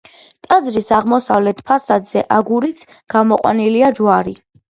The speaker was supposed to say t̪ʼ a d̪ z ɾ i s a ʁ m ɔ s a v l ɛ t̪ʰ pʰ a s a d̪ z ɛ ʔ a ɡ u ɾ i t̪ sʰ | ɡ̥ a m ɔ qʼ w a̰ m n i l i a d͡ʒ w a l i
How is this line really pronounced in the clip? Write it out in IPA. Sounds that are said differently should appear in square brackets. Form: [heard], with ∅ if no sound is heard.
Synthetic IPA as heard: t̪ʼ a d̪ z ɾ i s a ʁ m ɔ s a v l ɛ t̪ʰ pʰ a s a d̪ z ɛ ʔ a ɡ u ɾ i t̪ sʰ | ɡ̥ a m ɔ qʼ w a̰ [∅] n i l i a d͡ʒ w a [ɾ] i